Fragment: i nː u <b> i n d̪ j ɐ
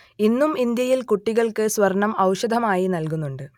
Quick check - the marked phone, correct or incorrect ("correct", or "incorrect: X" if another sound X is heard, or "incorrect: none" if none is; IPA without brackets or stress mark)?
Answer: incorrect: m